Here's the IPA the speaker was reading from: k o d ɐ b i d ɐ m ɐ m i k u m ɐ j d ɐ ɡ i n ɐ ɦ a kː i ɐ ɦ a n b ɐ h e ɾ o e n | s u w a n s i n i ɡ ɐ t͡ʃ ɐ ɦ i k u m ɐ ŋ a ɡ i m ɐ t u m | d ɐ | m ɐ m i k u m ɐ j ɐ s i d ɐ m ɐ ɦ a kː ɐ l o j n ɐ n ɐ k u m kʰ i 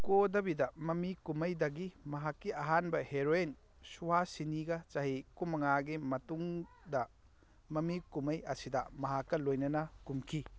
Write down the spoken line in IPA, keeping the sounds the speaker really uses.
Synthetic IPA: k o d ɐ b i d ɐ m ɐ m i k u m ɐ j d ɐ ɡ i m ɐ ɦ a kː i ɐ ɦ a n b ɐ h e ɾ o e n | s u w a s i n i ɡ ɐ t͡ʃ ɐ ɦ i k u m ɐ ŋ a ɡ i m ɐ t u ŋ | d ɐ | m ɐ m i k u m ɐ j ɐ s i d ɐ m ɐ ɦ a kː ɐ l o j n ɐ n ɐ k u m kʰ i